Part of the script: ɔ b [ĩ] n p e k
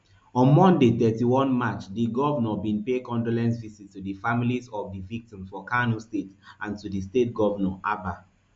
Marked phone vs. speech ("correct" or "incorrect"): correct